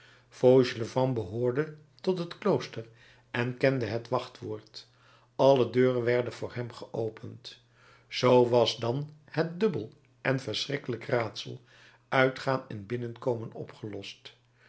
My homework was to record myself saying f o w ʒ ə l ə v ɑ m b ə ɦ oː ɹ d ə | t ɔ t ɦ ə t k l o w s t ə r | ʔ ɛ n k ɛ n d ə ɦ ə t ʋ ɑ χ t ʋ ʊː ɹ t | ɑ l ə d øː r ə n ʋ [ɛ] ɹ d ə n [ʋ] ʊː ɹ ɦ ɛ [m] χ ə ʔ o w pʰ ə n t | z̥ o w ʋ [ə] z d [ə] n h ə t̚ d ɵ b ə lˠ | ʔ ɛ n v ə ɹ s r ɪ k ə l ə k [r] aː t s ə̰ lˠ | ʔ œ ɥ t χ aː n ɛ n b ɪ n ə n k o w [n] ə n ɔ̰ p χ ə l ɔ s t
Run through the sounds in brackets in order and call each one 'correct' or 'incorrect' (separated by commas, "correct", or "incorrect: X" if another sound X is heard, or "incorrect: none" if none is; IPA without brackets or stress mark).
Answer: correct, incorrect: v, correct, incorrect: ɑ, incorrect: ɑ, correct, incorrect: m